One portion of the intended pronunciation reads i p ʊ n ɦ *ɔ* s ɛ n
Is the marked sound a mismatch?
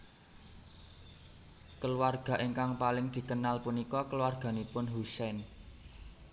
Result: yes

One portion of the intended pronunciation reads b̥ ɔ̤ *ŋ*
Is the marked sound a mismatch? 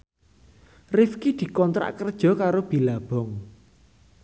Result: no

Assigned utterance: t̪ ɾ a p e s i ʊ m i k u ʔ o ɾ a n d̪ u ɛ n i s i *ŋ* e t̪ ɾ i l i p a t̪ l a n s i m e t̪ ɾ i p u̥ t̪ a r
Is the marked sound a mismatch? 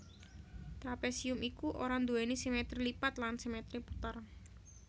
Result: yes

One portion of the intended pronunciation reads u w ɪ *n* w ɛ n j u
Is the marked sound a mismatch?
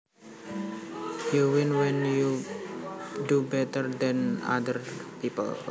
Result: no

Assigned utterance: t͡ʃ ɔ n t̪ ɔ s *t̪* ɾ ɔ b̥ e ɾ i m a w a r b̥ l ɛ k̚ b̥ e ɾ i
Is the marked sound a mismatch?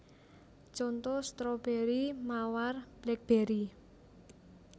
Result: no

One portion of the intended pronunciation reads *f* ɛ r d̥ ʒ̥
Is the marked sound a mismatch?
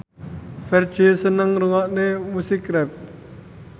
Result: no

